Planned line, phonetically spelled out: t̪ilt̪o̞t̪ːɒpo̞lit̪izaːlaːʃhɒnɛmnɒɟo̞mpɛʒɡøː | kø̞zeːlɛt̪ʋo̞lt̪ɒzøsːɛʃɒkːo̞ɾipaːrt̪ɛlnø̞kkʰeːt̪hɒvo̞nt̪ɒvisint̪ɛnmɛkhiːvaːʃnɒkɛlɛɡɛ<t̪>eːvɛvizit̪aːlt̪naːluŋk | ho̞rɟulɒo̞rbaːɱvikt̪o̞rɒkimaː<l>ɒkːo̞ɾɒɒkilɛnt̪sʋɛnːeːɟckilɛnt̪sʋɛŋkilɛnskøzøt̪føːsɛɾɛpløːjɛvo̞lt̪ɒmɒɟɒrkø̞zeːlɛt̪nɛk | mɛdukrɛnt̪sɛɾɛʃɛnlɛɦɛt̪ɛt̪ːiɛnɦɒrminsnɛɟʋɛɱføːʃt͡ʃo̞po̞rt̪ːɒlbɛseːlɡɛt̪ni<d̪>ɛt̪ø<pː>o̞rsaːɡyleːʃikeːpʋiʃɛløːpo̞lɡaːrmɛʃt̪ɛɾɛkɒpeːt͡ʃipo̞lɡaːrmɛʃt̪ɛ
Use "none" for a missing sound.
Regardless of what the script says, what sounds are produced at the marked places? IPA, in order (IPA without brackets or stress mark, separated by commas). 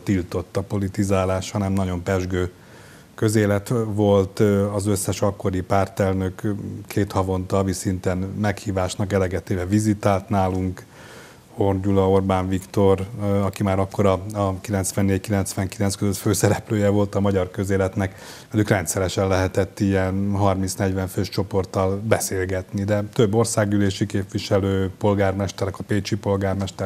t̪, ɾ, d̪, bː